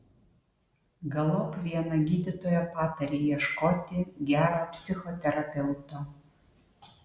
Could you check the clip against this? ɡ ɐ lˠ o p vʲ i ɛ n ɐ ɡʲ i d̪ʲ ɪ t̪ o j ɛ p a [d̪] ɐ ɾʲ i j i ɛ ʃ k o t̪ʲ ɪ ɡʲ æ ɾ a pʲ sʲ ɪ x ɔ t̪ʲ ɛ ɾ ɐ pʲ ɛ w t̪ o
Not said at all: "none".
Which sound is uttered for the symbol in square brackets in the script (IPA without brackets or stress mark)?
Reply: t̪